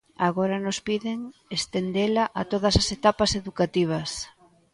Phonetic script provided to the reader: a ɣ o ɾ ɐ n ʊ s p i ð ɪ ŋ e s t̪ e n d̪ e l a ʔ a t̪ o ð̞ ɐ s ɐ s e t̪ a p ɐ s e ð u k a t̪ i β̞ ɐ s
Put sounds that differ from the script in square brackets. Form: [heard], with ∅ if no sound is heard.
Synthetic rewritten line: a ɣ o ɾ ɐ n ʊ s p i ð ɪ ŋ e s t̪ e n d̪ e l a ʔ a t̪ o ð̞ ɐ s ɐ s e t̪ a p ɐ s e ð u k a t̪ i β̞ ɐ s